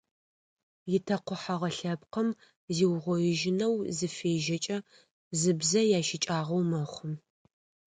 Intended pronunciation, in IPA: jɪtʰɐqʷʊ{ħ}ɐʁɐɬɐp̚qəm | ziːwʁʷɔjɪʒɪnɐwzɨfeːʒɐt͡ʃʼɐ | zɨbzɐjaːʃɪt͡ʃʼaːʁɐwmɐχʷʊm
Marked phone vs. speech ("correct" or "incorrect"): correct